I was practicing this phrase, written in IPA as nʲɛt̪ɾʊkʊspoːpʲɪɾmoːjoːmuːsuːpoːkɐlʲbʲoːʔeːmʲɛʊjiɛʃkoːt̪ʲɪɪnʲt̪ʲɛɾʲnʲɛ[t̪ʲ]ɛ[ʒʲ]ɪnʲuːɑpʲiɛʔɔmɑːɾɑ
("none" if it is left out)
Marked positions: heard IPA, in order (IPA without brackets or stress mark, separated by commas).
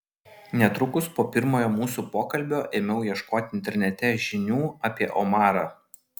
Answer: t̪ʲ, ʒʲ